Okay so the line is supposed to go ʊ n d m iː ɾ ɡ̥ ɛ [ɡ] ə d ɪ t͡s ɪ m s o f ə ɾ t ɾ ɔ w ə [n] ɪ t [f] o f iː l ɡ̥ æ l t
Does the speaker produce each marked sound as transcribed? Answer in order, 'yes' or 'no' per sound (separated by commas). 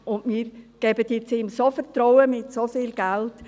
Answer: no, no, no